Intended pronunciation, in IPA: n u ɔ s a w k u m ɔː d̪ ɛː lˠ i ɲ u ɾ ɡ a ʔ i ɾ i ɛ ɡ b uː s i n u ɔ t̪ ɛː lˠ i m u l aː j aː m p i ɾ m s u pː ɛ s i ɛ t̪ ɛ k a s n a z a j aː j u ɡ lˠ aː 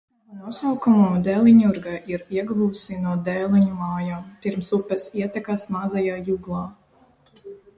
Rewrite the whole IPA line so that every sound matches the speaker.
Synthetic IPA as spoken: n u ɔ s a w k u m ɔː d̪ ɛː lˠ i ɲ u ɾ ɡ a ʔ i ɾ i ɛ ɡ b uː s i n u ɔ d̪ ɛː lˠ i ɲ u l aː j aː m p i ɾ m s u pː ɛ s i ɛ t̪ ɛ k a s m a z a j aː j u ɡ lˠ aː